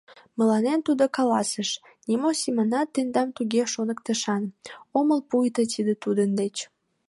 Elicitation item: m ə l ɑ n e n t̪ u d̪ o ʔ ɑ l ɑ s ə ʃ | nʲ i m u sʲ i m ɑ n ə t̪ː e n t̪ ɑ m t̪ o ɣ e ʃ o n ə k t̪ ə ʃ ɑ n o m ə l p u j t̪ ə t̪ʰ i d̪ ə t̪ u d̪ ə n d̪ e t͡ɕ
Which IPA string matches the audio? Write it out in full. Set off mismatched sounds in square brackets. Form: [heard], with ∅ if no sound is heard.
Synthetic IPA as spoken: m ə l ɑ n e n t̪ u d̪ o [k] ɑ l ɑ s ə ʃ | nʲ i m [o] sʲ i m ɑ n [ɑ] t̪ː e n [d̪] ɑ m t̪ [u] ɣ e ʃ o n ə k t̪ ə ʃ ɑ n o m ə l p u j t̪ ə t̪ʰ i d̪ ə t̪ u d̪ ə n d̪ e t͡ɕ